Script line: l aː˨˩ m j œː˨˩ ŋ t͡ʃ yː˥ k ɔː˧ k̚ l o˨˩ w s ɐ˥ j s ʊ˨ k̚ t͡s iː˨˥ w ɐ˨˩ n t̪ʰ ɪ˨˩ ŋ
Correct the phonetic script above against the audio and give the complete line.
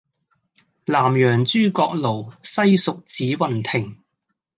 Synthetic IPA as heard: l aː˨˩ m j œː˨˩ ŋ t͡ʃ yː˥ k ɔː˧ k̚ l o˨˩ w s ɐ˥ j s ʊ˨ k̚ t͡s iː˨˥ w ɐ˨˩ n t̪ʰ ɪ˨˩ ŋ